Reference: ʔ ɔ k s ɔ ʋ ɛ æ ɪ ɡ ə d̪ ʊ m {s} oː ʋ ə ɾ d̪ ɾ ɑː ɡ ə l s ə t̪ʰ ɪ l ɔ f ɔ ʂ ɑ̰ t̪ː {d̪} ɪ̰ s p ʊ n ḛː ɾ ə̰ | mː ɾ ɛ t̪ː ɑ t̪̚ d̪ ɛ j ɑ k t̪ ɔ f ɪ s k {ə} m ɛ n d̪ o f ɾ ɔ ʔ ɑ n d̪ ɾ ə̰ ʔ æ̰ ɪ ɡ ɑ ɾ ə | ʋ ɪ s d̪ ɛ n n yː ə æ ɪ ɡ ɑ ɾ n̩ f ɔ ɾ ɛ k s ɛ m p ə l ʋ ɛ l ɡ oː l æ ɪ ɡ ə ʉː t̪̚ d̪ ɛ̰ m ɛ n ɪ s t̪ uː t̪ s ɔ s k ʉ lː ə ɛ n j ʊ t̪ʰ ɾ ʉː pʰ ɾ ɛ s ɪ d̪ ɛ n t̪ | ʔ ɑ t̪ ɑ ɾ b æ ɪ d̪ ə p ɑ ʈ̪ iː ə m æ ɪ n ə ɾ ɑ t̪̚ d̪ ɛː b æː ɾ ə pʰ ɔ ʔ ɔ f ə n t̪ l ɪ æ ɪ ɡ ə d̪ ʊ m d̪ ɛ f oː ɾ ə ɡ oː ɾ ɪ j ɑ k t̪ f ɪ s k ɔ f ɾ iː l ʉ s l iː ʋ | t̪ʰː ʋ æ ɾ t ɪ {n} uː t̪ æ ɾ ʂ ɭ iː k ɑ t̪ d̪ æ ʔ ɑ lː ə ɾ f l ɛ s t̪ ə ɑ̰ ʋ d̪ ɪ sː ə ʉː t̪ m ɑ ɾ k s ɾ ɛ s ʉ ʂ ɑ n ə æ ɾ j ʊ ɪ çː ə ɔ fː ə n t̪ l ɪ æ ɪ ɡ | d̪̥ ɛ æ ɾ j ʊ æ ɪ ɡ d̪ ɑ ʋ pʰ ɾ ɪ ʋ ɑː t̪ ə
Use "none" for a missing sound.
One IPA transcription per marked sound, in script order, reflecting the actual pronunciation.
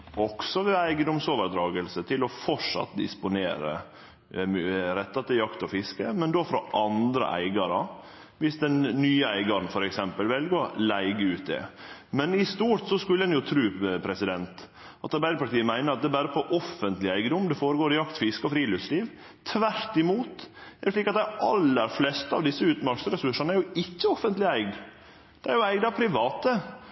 s, d̪, ə, m

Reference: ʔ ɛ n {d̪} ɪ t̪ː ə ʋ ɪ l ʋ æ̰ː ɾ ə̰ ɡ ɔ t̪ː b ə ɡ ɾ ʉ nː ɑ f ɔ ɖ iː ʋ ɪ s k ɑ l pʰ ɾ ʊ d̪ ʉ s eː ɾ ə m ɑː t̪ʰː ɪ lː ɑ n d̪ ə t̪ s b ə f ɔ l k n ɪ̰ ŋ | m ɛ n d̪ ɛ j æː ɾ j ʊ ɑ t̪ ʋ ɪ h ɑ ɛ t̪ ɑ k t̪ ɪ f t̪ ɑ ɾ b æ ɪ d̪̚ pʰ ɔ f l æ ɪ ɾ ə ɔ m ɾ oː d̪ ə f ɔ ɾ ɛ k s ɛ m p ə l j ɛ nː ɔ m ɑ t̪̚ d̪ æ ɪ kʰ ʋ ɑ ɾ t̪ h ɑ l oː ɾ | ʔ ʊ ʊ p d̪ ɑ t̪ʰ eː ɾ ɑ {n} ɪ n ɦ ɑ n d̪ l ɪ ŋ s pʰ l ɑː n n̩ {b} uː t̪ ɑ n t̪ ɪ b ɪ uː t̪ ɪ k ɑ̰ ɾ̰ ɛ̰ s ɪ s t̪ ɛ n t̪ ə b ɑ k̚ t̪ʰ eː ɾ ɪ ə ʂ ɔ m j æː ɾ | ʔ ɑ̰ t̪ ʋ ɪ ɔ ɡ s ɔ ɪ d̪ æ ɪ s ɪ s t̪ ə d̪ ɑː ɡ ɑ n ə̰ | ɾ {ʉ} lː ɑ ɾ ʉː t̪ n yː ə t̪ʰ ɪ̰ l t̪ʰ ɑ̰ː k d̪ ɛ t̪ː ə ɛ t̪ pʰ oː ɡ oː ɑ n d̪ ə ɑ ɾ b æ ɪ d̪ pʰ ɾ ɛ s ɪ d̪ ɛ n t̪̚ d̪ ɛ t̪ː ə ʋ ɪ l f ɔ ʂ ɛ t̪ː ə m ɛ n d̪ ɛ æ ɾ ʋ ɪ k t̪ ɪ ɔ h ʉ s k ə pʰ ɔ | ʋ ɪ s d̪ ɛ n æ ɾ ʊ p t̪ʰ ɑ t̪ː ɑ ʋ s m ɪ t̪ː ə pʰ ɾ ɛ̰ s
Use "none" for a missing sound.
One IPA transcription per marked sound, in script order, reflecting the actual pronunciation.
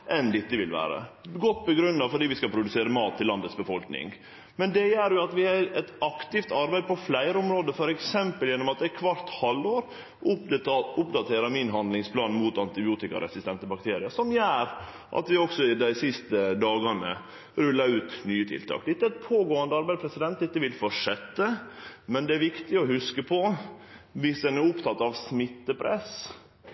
d̪, m, m, ʉ

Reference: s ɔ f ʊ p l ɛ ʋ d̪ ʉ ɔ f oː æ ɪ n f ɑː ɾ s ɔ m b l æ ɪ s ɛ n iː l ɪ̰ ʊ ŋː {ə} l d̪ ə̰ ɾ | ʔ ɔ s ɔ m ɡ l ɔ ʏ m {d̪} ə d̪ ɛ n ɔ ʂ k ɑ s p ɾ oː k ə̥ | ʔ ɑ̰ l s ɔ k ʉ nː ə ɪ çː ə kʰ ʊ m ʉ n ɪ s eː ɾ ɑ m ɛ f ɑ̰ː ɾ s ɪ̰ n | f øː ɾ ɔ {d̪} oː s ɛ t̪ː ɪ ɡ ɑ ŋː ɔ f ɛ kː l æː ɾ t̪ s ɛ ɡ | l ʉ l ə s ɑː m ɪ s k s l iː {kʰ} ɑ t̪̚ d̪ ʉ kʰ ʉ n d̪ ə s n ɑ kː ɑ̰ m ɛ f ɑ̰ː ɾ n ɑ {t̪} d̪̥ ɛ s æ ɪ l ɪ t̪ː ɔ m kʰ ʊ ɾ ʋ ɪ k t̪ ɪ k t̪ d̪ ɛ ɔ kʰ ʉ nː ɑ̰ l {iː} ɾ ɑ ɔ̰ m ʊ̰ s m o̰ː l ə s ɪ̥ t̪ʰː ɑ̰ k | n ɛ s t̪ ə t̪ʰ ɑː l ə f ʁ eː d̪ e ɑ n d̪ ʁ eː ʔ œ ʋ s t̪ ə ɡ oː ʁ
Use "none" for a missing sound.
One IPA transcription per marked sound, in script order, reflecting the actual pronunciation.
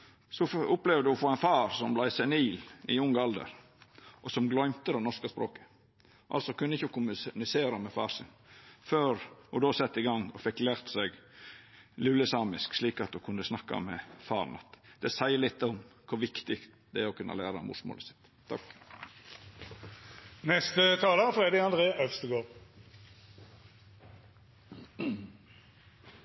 ɑ, t̪, d̪, k, t̪, æː

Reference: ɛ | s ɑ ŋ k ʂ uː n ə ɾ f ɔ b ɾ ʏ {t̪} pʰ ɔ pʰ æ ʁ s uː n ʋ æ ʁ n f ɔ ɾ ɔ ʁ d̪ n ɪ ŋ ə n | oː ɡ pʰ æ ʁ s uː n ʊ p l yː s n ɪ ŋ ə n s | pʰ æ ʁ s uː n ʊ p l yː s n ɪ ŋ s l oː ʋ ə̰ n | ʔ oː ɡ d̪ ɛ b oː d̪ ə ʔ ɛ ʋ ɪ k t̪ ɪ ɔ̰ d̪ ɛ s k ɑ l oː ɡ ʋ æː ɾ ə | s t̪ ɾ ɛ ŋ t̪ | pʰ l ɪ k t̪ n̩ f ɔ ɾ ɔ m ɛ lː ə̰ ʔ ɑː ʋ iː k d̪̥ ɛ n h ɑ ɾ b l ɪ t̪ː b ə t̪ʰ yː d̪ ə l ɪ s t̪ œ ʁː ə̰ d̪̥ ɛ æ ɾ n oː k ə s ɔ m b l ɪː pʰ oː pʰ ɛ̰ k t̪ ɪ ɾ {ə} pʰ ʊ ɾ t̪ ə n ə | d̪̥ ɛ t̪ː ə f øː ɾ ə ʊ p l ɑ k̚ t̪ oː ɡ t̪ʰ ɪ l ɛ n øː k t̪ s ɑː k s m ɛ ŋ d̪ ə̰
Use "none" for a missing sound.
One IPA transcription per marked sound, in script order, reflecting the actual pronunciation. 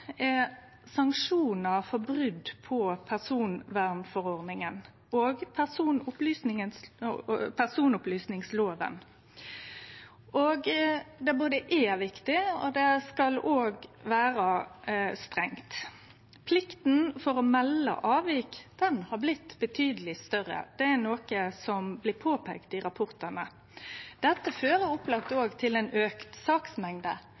d̪, ɑ

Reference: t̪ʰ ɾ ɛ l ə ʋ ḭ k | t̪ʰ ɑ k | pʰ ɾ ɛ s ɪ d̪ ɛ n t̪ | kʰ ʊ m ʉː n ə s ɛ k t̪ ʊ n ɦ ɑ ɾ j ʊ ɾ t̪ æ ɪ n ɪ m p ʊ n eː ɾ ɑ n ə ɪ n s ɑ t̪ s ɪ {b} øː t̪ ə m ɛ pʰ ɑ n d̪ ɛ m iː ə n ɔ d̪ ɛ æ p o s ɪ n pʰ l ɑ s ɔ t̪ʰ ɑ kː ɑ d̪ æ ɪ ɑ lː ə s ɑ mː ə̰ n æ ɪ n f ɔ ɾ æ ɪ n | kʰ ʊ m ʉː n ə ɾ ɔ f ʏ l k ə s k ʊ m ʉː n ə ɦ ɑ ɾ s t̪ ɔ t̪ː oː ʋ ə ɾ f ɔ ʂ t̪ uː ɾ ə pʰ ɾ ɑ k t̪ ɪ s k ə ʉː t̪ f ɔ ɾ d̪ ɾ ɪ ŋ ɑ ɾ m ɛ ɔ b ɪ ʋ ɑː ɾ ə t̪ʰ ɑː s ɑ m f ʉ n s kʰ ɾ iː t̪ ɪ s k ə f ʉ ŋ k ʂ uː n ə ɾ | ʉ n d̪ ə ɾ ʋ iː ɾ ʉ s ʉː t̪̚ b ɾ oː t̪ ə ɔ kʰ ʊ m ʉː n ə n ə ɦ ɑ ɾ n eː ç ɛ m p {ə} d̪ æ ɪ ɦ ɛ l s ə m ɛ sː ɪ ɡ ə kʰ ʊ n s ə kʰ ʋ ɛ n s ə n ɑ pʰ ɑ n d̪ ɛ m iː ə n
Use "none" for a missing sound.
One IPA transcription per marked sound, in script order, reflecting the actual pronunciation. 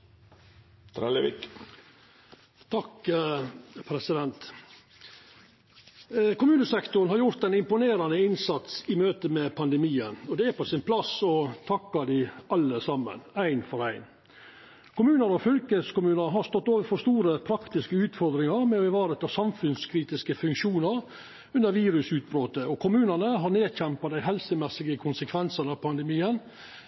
m, ɑ

